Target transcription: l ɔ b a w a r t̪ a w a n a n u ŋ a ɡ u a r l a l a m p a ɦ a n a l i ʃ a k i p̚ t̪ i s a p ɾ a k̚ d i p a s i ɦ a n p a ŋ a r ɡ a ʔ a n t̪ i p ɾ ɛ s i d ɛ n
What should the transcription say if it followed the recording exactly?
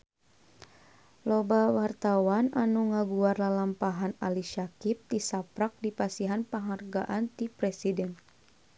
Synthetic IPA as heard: l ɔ b a w a r t̪ a w a n a n u ŋ a ɡ u a r l a l a m p a ɦ a n a l i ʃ a k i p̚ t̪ i s a p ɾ a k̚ d i p a s i ɦ a n p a ŋ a r ɡ a ʔ a n t̪ i p ɾ ɛ s i d ɛ n